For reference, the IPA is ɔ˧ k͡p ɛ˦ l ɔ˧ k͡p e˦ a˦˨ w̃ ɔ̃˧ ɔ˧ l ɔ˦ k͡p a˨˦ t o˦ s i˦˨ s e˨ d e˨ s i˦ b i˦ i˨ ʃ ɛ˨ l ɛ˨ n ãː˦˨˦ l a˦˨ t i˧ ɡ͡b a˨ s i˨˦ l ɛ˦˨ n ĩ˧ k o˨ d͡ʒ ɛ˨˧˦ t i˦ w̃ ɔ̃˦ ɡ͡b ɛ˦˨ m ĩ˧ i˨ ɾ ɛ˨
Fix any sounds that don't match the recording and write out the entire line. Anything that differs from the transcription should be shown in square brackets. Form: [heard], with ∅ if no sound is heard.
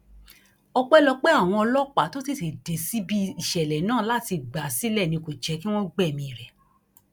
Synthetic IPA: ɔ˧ k͡p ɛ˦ l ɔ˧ k͡p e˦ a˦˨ w̃ ɔ̃˧ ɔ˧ l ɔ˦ k͡p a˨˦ t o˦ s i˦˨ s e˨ d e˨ s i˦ b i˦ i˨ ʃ ɛ˨ l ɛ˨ n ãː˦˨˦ l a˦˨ t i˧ ɡ͡b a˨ s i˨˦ l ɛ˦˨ n ĩ˧ k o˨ d͡ʒ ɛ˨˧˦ [k] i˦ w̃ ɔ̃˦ ɡ͡b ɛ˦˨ m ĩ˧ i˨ ɾ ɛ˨